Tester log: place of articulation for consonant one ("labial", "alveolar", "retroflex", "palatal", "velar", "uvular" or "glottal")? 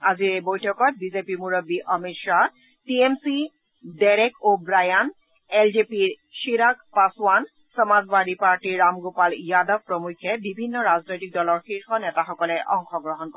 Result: alveolar